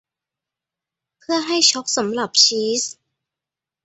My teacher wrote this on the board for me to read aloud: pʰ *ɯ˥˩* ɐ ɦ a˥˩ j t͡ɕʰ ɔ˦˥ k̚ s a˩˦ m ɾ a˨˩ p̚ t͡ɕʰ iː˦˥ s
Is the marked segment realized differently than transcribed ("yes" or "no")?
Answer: no